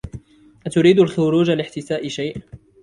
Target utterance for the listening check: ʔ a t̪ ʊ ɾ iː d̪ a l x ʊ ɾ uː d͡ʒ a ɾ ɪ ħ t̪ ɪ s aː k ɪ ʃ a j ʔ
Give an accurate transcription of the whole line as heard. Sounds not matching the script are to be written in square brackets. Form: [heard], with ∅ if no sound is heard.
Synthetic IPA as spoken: ʔ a t̪ ʊ ɾ iː d̪ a l x ʊ ɾ uː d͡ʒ a [l] ɪ ħ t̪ ɪ s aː [ʔ] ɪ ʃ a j ʔ